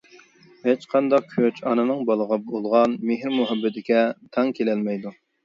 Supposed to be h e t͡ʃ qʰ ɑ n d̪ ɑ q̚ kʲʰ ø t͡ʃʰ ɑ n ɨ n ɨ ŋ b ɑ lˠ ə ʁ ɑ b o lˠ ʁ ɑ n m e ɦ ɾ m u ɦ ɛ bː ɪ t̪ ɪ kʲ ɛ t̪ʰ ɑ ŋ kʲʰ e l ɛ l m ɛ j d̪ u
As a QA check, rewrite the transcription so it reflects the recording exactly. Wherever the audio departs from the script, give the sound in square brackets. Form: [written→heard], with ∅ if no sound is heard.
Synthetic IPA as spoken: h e t͡ʃ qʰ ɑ n d̪ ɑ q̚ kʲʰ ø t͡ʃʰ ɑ n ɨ n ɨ ŋ b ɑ lˠ ə ʁ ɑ b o lˠ ʁ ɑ n m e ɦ ɾ m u ɦ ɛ bː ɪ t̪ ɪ kʲ ɛ t̪ʰ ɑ ŋ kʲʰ e l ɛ l m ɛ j d̪ u